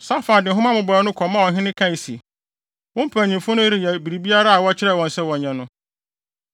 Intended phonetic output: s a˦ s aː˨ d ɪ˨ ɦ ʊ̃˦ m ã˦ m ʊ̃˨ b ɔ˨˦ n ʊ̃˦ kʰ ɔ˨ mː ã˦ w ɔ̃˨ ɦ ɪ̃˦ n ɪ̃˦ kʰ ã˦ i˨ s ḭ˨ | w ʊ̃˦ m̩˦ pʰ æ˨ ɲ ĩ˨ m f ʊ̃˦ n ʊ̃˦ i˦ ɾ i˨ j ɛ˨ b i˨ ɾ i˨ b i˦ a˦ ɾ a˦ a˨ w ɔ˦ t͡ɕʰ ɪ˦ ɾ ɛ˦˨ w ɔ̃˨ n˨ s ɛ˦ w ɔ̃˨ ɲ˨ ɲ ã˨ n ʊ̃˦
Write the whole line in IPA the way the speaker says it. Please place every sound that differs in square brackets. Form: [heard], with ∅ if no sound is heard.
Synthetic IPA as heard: s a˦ [f] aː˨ d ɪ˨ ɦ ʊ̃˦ m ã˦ m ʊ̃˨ b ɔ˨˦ n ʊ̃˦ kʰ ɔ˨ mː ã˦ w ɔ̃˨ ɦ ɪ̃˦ n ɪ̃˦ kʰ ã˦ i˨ s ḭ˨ | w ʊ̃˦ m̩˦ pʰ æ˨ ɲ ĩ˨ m f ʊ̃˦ n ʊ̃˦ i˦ ɾ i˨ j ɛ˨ b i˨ ɾ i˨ b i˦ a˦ ɾ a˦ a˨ w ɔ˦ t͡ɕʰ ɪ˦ ɾ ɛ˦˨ w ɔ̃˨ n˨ s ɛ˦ w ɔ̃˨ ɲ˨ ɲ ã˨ n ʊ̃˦